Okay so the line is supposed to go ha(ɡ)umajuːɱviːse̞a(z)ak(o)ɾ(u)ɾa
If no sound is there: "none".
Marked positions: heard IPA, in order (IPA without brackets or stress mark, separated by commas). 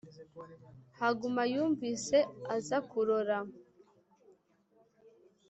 ɡ, z, u, o